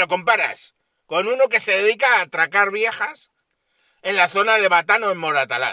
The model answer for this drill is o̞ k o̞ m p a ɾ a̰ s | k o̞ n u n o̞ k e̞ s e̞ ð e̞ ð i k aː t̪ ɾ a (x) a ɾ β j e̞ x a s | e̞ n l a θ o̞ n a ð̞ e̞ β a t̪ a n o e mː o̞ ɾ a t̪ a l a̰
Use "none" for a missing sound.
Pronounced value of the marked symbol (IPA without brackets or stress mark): k